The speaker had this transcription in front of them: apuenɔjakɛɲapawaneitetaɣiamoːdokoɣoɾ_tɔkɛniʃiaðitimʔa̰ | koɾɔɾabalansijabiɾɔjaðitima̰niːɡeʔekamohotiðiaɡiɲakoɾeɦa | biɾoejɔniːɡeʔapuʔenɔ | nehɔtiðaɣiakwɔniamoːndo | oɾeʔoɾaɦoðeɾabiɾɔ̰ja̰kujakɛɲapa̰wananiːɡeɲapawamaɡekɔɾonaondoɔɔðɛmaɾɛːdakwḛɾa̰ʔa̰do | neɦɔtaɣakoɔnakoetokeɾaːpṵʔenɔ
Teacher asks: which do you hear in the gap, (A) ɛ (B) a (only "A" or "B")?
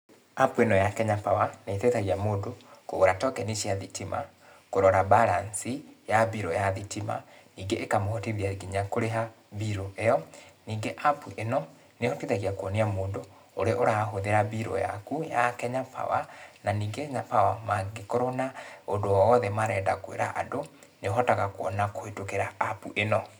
B